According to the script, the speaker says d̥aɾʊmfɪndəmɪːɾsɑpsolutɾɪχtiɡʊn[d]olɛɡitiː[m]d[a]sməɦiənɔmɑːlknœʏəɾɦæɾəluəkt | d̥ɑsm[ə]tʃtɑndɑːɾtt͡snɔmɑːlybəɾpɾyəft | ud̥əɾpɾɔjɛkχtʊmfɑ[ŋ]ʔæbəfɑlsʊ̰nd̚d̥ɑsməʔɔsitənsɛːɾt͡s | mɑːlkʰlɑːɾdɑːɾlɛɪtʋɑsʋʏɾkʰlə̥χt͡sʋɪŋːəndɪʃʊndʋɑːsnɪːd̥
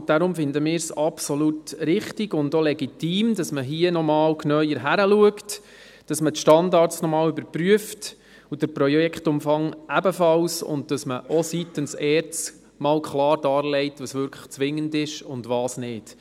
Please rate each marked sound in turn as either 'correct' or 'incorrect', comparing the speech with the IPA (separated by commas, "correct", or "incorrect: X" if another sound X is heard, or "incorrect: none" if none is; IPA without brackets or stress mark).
correct, correct, incorrect: ɑ, correct, correct